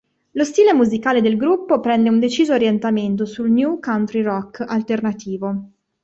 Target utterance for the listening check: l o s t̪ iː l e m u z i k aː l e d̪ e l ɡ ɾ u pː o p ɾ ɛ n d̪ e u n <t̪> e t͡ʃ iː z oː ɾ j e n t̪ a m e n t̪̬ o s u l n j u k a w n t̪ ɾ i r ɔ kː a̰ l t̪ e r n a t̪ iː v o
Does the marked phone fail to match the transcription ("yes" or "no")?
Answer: yes